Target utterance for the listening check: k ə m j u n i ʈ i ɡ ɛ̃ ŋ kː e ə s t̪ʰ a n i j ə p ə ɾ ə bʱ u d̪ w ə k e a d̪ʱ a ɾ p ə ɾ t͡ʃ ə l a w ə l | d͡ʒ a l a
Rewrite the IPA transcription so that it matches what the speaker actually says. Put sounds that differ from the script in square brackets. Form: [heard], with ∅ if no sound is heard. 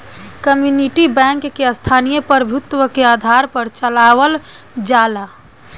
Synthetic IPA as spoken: k ə m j u n i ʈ i [b] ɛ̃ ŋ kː e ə s t̪ʰ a n i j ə p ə ɾ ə bʱ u [t̪] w ə k e a d̪ʱ a ɾ p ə ɾ t͡ʃ ə l a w ə l | d͡ʒ a l a